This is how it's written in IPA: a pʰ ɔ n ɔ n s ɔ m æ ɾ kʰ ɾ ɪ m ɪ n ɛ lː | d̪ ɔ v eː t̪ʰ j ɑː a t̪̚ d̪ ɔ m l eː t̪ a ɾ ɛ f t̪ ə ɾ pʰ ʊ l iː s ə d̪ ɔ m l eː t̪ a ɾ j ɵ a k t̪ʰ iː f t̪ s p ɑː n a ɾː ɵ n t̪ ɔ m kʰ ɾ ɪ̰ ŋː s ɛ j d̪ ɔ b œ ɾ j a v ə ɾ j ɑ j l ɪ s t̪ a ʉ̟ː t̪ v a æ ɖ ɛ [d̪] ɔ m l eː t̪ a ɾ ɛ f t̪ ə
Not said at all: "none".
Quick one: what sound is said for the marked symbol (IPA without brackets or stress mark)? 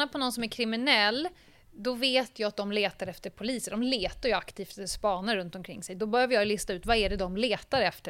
d̪